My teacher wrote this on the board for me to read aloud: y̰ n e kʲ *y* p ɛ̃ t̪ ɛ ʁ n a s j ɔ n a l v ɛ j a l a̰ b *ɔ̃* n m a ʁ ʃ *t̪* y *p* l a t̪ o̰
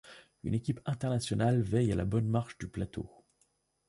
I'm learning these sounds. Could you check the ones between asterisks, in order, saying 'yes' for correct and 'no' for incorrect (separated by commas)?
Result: no, no, no, yes